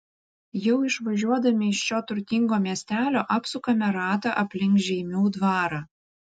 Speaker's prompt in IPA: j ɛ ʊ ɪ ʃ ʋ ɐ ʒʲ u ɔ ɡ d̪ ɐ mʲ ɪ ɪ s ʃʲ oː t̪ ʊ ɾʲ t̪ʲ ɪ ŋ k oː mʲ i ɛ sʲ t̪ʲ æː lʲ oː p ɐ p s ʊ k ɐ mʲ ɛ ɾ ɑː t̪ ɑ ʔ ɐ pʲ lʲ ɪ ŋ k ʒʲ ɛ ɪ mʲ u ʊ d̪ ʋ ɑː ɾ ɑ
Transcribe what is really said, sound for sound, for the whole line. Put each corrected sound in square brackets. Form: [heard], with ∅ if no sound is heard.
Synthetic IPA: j ɛ ʊ ɪ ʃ ʋ ɐ ʒʲ u ɔ [∅] d̪ ɐ mʲ ɪ ɪ [ʃ] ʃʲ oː t̪ ʊ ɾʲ t̪ʲ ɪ ŋ [ɡ] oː mʲ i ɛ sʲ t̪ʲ æː lʲ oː [ʔ] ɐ p s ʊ k ɐ mʲ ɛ ɾ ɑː t̪ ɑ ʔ ɐ pʲ lʲ ɪ ŋ k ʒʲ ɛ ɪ mʲ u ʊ d̪ ʋ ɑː ɾ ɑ